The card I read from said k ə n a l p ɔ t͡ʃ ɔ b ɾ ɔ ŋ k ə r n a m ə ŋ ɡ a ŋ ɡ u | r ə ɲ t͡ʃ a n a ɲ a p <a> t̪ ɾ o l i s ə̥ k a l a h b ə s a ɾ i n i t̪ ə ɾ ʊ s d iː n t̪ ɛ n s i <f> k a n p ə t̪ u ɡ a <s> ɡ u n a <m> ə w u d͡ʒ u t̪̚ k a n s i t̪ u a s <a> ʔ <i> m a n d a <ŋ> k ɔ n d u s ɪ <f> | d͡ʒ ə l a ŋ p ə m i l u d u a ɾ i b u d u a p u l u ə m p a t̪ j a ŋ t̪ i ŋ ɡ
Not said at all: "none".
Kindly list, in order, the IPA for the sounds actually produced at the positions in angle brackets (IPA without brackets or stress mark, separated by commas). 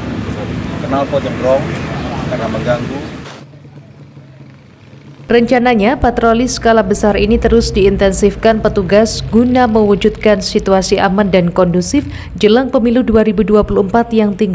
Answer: a, f, s, m, i, a, n, f